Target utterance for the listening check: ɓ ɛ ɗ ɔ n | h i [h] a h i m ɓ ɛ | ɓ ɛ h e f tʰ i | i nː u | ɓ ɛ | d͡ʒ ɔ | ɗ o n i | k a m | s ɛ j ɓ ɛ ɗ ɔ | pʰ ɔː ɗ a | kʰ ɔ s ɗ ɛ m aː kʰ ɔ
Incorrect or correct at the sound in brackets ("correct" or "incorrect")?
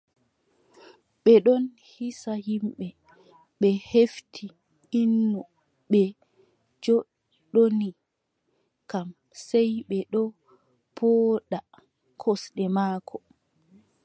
incorrect